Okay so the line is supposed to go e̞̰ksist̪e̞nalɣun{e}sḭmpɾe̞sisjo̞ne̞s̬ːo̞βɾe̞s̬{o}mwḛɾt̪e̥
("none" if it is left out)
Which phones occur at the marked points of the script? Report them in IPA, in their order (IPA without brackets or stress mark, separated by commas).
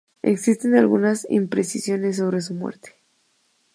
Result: a, u